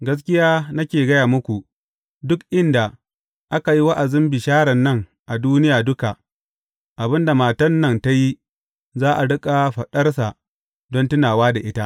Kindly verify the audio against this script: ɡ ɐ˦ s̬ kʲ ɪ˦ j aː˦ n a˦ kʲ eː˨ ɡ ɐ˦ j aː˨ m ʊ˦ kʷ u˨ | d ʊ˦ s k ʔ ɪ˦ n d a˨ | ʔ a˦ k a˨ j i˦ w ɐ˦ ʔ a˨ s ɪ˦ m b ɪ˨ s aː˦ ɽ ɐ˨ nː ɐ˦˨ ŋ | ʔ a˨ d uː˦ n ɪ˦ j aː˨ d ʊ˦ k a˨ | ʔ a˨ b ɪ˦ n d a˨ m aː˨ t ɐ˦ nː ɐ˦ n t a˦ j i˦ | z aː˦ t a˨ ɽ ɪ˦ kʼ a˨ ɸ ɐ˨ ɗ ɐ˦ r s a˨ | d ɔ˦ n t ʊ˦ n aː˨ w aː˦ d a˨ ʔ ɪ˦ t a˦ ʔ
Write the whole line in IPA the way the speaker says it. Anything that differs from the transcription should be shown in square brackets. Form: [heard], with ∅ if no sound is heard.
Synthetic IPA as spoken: ɡ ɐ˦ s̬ kʲ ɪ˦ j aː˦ n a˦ kʲ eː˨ ɡ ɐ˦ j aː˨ m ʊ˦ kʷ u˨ | d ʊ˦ [∅] k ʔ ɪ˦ n d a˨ | ʔ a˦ k a˨ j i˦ w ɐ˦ ʔ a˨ [z] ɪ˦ m b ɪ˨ [ʃ] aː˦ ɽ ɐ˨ nː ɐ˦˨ ŋ | ʔ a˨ d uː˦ n ɪ˦ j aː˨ d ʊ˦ k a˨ | ʔ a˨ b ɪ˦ n d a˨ m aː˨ t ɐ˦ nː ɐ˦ n t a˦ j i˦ | z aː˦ [ʔ] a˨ ɽ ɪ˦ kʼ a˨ ɸ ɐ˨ ɗ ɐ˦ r s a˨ | d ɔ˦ n t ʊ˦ n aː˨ w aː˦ d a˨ ʔ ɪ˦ t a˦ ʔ